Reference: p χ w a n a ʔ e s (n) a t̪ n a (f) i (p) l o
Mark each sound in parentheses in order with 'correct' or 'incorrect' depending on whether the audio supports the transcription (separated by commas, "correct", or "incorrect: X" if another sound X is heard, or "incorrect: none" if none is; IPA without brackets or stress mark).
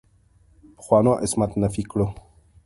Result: incorrect: m, correct, incorrect: k